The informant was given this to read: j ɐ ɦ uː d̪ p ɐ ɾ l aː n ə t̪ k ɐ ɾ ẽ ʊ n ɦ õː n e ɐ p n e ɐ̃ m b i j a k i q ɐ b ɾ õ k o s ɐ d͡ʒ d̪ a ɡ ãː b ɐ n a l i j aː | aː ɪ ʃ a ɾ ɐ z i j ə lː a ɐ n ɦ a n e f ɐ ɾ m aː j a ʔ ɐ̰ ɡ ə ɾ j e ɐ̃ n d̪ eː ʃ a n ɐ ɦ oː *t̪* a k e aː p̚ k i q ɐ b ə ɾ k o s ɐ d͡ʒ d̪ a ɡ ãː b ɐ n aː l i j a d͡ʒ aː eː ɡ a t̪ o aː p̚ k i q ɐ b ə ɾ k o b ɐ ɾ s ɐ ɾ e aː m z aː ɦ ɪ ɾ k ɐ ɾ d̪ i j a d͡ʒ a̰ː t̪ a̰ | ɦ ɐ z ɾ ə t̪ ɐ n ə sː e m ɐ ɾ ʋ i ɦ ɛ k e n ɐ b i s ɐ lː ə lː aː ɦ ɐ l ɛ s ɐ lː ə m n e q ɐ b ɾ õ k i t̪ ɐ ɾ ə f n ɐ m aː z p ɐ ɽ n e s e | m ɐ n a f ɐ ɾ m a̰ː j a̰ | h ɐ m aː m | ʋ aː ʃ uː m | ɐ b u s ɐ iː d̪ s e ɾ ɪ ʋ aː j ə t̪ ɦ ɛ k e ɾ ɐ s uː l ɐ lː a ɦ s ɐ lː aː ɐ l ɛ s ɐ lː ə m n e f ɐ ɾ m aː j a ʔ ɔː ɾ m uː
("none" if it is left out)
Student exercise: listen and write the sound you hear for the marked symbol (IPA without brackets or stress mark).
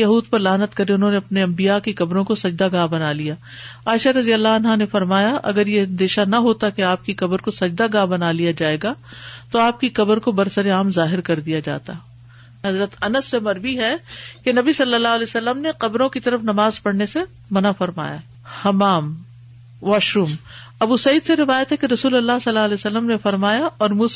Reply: t̪